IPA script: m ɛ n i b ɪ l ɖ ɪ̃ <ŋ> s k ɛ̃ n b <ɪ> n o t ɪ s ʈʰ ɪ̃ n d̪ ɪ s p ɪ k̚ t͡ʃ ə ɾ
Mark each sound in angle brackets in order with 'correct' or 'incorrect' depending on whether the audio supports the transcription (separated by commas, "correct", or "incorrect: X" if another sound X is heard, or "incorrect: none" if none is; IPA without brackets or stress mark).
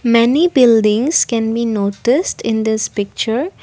correct, incorrect: i